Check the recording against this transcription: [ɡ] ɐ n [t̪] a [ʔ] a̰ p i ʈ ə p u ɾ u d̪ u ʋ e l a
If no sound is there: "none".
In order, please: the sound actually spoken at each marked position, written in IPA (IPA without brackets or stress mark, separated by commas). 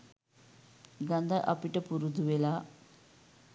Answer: ɡ, d̪, ʔ